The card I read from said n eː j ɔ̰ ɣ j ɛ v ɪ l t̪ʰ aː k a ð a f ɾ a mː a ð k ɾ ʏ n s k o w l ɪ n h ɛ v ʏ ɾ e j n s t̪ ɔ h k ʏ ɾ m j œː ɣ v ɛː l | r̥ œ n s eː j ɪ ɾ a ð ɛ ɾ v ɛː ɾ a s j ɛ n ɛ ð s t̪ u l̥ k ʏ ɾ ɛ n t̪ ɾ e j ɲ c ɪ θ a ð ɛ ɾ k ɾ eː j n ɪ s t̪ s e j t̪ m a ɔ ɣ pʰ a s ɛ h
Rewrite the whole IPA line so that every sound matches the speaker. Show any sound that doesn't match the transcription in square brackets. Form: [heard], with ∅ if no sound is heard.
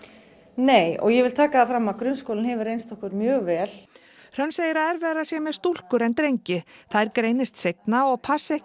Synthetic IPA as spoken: n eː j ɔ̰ ɣ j ɛ v ɪ l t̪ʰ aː k a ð a f ɾ a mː a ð k ɾ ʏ n s k o w l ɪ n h ɛ v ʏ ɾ e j n s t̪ ɔ h k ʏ ɾ m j œː ɣ v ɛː l | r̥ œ n s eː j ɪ ɾ a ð ɛ ɾ v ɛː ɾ a s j ɛ [m] ɛ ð s t̪ u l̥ k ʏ ɾ ɛ n t̪ ɾ e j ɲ c ɪ θ a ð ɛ ɾ k ɾ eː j n ɪ s t̪ s e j t̪ [n] a ɔ ɣ pʰ a s ɛ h

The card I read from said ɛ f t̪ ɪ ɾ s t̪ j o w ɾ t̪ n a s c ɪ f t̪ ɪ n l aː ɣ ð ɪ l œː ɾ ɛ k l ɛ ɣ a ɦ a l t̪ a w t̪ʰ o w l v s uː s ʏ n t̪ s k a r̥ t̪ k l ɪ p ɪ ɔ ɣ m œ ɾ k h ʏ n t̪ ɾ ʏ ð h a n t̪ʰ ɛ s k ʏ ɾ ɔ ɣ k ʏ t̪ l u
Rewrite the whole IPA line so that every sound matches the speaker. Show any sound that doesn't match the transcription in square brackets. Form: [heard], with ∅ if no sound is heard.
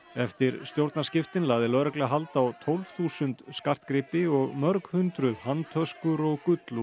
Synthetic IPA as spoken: ɛ f t̪ ɪ ɾ s t̪ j o w ɾ t̪ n a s c ɪ f t̪ ɪ n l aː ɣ ð ɪ l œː ɾ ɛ k l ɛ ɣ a ɦ a l t̪ a w t̪ʰ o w l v [θ] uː s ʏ n t̪ s k a r̥ t̪ k [ɾ] ɪ p ɪ ɔ ɣ m œ ɾ k h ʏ n t̪ ɾ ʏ ð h a n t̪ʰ [œ] s k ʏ ɾ ɔ ɣ k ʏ t̪ l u

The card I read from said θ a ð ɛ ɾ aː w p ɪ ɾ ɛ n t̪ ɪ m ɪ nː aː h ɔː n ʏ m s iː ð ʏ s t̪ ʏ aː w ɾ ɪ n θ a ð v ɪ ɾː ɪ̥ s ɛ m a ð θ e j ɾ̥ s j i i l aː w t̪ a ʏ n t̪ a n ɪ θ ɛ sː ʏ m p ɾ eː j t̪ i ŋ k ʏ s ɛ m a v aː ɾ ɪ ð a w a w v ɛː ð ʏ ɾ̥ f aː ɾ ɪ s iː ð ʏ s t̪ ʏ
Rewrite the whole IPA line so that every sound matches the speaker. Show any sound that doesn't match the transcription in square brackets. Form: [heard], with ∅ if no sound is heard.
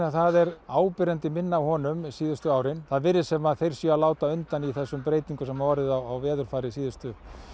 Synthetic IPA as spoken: θ a ð ɛ ɾ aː w p ɪ ɾ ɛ n t̪ ɪ m ɪ nː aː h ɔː n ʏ m s iː ð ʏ s t̪ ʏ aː w ɾ ɪ n θ a ð v ɪ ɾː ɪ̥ s ɛ m a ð θ e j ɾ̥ s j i [a] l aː w t̪ a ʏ n t̪ a n [i] θ ɛ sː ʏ m p ɾ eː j t̪ i ŋ k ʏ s ɛ m a v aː ɾ ɪ ð a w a w v ɛː ð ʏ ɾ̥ f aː ɾ ɪ s iː ð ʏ s t̪ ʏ

